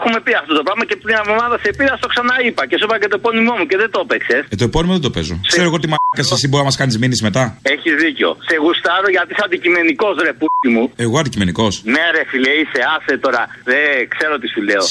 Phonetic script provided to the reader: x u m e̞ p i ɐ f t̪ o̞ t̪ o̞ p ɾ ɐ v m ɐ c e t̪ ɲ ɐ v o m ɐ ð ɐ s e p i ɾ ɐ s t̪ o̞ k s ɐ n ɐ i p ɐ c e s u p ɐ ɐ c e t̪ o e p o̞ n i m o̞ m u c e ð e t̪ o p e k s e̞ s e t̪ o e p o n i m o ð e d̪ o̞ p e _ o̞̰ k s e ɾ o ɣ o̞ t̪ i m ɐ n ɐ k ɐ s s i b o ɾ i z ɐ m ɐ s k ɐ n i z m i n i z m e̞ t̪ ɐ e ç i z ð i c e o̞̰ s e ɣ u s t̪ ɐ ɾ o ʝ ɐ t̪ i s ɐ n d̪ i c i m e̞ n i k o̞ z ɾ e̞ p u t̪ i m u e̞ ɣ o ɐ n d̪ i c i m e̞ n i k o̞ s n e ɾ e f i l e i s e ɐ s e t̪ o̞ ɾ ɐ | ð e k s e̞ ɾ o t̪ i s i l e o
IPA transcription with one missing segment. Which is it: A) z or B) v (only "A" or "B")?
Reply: A